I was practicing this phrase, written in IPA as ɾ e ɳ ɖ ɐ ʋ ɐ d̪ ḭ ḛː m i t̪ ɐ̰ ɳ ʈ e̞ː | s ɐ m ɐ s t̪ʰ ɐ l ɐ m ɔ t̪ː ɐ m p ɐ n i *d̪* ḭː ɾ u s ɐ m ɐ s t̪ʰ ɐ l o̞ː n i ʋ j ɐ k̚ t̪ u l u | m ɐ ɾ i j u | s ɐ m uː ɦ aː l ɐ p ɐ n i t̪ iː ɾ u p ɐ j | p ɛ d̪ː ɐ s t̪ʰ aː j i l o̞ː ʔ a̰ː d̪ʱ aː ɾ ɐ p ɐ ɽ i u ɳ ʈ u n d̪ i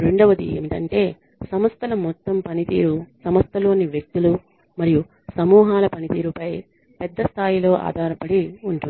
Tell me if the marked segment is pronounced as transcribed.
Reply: no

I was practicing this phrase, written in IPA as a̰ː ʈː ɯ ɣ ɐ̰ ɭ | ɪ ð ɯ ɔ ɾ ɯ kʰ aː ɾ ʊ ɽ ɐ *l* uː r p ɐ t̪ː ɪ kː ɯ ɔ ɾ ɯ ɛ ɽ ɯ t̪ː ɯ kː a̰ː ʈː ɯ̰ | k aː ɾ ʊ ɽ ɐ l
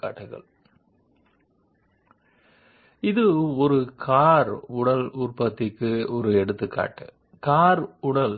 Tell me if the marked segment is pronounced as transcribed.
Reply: yes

